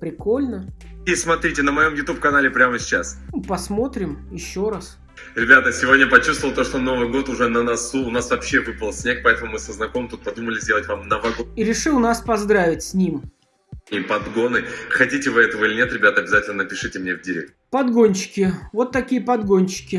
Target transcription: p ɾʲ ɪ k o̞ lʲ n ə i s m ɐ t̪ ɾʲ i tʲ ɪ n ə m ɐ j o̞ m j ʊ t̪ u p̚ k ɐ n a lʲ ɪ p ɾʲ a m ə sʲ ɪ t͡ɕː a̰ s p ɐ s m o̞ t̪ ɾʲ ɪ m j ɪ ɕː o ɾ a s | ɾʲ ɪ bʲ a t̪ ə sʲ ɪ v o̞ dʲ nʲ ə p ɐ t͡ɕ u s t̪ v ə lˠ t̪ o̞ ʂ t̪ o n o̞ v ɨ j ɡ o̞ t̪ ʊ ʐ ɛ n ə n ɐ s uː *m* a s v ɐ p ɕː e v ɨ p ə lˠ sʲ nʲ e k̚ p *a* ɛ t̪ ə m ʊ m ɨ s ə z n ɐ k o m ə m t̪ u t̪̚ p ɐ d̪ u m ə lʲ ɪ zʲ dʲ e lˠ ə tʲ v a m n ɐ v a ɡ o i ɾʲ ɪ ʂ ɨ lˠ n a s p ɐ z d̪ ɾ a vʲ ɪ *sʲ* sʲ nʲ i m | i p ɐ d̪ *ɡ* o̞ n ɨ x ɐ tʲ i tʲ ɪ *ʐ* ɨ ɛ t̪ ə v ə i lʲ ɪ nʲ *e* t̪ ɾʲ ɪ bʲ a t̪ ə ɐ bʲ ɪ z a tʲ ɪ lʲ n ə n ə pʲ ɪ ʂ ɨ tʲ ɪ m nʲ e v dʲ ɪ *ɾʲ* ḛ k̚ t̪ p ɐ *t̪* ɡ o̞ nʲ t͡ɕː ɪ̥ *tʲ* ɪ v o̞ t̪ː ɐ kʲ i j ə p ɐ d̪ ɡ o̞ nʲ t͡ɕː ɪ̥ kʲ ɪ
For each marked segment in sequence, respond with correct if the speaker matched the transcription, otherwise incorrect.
incorrect: n, incorrect: ɐ, incorrect: tʲ, correct, incorrect: v, correct, correct, incorrect: d̪, incorrect: kʲ

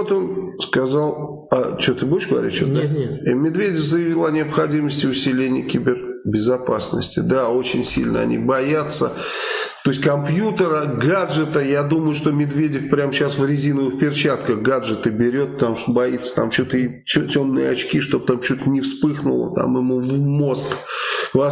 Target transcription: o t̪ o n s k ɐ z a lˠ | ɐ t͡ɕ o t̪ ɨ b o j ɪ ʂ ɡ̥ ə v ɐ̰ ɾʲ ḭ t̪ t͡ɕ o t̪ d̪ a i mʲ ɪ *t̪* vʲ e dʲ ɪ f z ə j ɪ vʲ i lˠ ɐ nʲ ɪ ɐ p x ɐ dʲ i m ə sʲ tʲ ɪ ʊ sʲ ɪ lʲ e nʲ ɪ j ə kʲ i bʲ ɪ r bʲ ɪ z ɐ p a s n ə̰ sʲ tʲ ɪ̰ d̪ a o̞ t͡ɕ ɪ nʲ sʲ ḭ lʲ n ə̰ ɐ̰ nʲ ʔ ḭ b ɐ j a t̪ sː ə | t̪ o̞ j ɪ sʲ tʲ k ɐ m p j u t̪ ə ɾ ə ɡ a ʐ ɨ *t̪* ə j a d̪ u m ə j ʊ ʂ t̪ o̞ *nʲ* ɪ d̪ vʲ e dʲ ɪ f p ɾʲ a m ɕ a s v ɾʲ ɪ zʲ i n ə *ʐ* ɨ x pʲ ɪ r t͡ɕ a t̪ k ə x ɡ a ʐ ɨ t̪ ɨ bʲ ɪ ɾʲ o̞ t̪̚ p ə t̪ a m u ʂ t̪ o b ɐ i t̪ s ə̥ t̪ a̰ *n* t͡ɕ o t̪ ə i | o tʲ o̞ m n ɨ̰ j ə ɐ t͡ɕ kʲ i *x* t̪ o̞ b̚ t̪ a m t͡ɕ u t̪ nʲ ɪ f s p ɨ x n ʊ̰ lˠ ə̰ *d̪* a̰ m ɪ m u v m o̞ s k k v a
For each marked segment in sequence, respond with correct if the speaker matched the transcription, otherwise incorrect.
incorrect: d̪, correct, incorrect: mʲ, incorrect: v, incorrect: m, incorrect: ʂ, incorrect: t̪

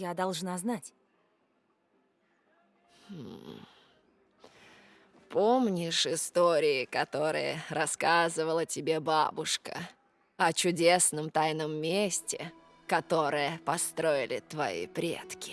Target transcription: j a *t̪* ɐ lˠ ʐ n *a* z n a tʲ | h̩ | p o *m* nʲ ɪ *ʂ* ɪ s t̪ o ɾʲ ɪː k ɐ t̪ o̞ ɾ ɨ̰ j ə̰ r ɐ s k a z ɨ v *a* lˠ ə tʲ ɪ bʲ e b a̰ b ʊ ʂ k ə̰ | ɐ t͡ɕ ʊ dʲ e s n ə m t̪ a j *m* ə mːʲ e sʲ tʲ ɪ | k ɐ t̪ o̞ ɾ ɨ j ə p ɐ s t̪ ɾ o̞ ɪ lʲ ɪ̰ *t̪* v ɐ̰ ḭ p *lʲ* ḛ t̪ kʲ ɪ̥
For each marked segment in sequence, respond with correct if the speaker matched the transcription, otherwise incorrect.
incorrect: d̪, correct, correct, correct, incorrect: ə, incorrect: n, correct, incorrect: ɾʲ

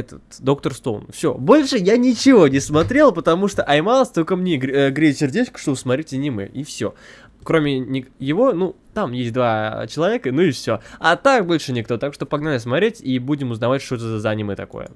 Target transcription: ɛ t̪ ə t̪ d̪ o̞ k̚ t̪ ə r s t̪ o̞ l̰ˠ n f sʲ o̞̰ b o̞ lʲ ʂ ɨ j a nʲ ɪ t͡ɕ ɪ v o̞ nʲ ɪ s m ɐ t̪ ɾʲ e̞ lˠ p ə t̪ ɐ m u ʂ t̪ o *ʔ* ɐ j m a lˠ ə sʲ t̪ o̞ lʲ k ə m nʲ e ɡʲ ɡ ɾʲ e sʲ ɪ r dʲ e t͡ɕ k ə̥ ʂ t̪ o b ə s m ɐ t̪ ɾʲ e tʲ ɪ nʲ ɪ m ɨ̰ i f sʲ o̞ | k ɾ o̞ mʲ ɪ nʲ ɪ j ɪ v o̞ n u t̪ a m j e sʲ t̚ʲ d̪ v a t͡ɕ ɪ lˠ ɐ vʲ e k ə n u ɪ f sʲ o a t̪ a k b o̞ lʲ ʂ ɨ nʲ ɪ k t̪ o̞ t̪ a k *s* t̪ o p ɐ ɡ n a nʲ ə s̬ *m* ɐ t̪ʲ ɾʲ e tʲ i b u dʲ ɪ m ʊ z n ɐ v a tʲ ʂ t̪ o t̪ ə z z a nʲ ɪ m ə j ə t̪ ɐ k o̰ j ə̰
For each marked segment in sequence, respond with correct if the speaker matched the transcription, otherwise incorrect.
correct, incorrect: ʂ, correct

